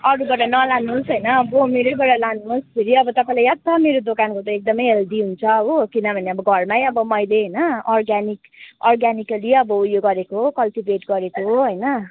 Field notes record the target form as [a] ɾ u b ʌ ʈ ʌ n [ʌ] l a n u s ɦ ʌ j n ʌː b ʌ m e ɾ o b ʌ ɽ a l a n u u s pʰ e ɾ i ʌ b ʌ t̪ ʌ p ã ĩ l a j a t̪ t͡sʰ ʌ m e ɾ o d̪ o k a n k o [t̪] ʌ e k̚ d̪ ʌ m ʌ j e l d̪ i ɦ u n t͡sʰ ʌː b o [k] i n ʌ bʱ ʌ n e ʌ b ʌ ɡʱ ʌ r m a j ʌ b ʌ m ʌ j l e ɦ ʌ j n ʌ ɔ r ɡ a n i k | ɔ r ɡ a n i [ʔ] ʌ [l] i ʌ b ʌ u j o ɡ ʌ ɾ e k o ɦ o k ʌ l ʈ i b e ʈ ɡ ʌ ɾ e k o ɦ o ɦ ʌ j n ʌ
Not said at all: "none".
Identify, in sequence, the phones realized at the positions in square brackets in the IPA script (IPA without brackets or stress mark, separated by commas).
ʌ, ʌ, t̪, k, k, l